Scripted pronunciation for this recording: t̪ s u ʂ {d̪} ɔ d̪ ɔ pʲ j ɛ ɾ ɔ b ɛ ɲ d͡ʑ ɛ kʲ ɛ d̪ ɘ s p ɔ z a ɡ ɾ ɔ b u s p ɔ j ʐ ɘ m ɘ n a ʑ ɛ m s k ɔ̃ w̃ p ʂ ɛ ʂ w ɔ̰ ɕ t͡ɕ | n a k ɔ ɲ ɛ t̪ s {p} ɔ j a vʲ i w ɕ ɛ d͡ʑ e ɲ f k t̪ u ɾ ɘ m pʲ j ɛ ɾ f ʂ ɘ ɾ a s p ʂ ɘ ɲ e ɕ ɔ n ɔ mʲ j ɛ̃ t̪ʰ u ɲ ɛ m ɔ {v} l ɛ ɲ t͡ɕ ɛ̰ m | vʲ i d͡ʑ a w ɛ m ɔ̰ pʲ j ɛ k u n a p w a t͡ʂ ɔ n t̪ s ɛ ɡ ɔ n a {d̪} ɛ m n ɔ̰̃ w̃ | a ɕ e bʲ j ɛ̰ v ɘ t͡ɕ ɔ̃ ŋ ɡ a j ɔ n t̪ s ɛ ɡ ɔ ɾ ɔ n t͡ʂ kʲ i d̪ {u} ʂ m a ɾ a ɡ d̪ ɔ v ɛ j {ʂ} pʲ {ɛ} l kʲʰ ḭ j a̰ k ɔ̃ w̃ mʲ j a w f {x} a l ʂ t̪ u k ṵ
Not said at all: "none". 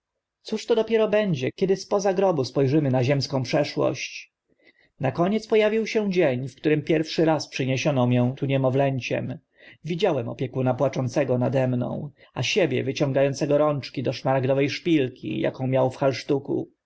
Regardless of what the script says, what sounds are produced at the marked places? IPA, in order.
t̪, p, v, d̪, ɔ, ʂ, i, x

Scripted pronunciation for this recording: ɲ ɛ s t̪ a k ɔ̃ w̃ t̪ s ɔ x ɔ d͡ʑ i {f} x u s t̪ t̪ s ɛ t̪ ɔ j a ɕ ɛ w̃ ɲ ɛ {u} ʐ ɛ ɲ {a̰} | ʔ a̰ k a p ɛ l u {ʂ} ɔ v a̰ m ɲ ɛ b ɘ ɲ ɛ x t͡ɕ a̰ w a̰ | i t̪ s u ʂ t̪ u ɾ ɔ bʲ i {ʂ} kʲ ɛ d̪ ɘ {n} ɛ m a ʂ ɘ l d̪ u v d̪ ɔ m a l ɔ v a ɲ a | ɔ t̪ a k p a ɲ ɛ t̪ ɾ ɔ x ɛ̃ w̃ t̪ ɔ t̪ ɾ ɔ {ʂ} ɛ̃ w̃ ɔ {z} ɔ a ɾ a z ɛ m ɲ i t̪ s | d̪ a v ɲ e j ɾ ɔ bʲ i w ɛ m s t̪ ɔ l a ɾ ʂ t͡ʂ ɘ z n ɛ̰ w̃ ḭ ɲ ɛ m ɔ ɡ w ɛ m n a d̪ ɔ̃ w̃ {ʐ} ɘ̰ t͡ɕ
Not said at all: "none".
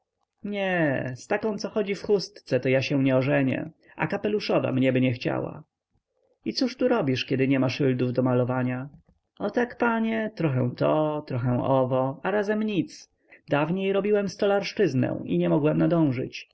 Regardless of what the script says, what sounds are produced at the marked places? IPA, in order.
f, ɔ, ɛ̰, ʂ, ʂ, ɲ, x, v, ʐ

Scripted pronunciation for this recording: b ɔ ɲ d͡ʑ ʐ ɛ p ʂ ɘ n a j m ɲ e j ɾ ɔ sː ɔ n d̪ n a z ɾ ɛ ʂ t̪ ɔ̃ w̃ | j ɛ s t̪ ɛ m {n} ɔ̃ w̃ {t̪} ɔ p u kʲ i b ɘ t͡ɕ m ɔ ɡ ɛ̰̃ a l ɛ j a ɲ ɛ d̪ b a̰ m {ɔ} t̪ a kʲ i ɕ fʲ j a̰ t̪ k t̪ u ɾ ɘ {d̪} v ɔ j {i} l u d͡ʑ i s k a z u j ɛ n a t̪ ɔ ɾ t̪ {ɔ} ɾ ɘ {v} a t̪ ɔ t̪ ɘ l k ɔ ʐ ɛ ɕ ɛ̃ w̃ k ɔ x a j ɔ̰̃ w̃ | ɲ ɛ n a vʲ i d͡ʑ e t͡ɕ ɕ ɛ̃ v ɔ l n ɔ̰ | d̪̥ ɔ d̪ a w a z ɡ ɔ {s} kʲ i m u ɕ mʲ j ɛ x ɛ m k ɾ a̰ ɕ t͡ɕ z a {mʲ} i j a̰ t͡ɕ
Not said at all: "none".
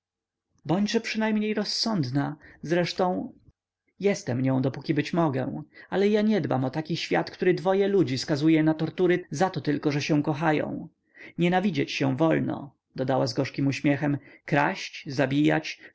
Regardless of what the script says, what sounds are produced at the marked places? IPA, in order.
ɲ, d̪, ɔ, d̪, ɛ, u, z, ʂ, bʲ

